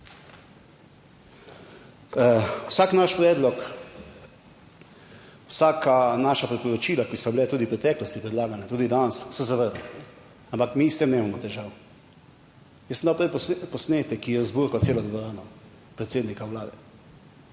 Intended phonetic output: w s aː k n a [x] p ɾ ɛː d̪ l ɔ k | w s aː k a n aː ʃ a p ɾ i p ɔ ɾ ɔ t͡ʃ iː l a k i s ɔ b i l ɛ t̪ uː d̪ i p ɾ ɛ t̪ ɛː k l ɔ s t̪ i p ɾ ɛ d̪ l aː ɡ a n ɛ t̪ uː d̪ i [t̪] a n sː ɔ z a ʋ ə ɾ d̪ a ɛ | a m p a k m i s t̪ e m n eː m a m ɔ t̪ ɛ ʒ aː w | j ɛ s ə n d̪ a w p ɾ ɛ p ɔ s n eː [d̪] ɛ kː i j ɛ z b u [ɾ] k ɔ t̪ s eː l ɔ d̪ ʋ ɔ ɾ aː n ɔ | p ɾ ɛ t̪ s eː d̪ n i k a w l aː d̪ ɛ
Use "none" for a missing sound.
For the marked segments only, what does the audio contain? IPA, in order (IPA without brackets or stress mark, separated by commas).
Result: ʃ, d̪, t̪, ɾ